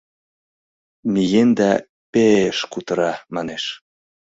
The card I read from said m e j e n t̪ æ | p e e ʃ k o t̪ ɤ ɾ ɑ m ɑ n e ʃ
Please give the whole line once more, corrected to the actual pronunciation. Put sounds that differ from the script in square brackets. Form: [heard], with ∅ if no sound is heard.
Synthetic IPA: m [i] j e n [d̪] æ | p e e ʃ k [u] t̪ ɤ ɾ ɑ m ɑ n e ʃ